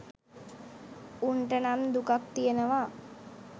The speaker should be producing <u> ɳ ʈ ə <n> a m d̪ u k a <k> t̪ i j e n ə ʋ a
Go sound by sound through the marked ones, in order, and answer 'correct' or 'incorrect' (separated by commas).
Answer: correct, correct, correct